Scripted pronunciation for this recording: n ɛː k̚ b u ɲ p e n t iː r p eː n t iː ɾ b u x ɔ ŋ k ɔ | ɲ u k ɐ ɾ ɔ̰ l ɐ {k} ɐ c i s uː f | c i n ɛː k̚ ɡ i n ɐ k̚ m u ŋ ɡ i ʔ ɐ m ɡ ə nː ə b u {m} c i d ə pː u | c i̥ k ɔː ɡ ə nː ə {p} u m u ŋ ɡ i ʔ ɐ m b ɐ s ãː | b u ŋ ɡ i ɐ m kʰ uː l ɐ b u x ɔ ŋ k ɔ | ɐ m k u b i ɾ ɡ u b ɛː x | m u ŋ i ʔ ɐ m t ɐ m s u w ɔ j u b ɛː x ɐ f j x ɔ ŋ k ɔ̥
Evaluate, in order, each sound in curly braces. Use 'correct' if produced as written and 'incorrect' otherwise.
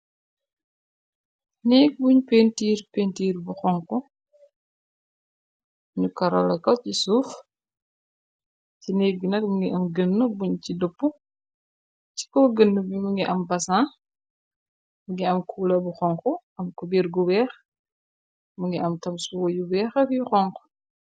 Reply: correct, incorrect: ɲ, incorrect: b

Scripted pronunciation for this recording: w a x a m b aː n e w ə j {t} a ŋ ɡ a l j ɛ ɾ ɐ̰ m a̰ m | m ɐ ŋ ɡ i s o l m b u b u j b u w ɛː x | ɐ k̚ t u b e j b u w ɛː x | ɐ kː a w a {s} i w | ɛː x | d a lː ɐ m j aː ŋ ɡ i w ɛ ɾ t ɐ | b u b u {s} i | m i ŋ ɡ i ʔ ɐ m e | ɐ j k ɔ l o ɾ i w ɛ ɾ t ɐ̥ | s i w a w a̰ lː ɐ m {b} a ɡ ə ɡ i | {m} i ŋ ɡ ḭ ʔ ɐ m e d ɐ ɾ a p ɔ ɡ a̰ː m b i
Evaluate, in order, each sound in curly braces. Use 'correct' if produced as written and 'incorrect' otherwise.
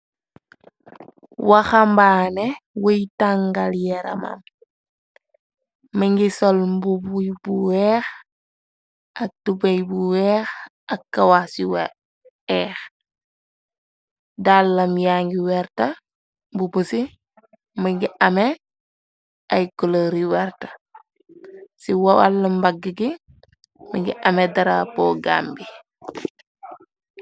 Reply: correct, correct, correct, correct, correct

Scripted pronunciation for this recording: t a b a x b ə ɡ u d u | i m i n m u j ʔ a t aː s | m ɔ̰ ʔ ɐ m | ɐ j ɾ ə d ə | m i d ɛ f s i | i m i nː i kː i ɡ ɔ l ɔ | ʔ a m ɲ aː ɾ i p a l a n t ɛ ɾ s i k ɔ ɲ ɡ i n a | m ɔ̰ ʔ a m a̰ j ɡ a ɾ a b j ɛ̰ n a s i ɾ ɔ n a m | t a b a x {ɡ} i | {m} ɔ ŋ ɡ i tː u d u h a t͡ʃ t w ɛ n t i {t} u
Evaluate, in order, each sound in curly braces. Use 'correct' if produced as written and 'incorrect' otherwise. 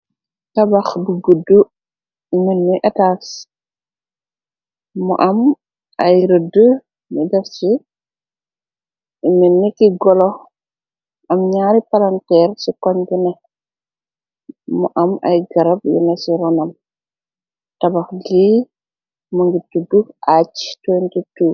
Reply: correct, correct, correct

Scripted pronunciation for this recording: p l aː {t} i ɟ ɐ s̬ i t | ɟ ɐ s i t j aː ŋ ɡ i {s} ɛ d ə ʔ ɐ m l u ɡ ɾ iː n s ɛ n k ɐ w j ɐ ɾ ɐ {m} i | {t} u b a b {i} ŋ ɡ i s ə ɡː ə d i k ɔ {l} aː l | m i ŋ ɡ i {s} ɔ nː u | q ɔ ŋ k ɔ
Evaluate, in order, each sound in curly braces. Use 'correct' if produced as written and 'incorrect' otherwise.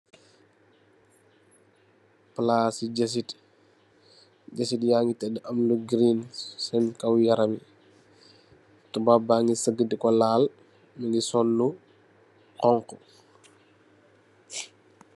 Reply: incorrect: s, incorrect: t, correct, correct, incorrect: a, correct, correct

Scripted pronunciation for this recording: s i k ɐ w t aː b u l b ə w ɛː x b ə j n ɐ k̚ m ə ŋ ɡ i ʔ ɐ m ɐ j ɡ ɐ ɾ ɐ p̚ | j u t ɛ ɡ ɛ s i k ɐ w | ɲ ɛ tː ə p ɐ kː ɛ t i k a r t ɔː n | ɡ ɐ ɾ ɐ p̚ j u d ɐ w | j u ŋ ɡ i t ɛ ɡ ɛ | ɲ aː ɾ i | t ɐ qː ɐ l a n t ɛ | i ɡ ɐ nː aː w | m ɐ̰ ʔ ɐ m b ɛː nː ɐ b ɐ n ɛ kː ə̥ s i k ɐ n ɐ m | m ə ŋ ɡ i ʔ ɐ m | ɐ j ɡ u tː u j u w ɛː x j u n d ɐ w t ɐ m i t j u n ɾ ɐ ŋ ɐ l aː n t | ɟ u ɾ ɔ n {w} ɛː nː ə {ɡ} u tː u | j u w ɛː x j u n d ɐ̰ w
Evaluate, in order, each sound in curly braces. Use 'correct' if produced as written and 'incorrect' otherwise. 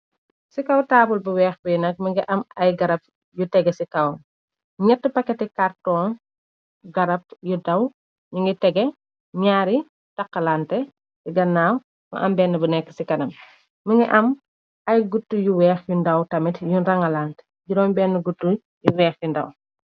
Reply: incorrect: b, correct

